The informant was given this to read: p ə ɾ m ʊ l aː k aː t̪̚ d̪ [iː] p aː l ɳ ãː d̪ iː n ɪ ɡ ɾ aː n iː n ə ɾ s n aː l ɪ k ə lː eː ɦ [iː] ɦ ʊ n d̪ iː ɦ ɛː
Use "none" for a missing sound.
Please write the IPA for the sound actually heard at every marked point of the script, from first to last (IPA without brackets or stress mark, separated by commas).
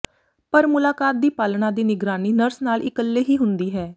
iː, iː